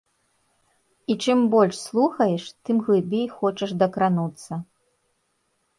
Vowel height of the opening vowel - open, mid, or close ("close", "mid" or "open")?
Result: close